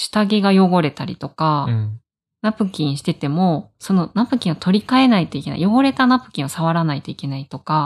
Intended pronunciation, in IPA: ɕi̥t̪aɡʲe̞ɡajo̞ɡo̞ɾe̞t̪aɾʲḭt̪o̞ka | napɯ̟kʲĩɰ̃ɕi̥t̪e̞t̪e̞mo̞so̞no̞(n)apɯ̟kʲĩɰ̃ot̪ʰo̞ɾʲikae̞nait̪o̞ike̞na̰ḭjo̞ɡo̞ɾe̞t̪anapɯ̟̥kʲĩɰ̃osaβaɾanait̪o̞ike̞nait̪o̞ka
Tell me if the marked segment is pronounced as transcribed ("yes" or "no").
yes